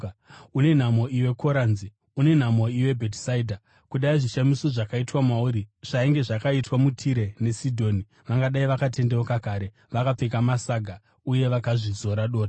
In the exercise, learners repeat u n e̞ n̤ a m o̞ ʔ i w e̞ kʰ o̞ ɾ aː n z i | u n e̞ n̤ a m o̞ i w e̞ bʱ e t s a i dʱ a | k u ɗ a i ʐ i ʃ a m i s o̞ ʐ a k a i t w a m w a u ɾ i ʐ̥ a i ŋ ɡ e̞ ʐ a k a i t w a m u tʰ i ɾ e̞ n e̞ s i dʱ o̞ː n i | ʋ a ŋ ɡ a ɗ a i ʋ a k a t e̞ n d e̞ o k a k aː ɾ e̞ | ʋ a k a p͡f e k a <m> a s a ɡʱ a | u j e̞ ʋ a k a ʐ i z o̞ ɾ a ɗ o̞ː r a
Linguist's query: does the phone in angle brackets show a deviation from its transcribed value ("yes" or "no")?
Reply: no